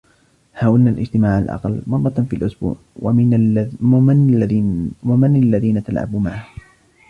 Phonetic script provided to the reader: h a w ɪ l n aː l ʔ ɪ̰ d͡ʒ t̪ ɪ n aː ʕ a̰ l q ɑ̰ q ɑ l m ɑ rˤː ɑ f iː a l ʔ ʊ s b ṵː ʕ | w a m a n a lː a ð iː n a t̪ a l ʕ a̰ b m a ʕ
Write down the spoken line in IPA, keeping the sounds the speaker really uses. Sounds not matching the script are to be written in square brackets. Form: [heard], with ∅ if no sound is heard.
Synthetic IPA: h a w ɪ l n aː l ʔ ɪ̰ d͡ʒ t̪ ɪ [m] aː ʕ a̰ l [ʔ] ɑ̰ q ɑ l m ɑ rˤː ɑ f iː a l ʔ ʊ s b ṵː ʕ | w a m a n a lː a ð iː n a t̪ a l ʕ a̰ b m a ʕ